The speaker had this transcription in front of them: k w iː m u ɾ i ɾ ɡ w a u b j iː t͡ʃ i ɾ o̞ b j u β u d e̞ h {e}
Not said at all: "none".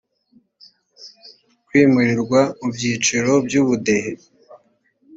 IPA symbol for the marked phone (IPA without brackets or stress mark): e